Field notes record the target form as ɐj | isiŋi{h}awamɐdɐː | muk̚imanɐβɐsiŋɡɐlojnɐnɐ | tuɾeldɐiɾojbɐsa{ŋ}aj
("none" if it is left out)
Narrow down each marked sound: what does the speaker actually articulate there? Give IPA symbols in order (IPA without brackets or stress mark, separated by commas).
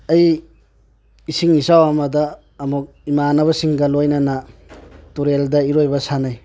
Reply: s, n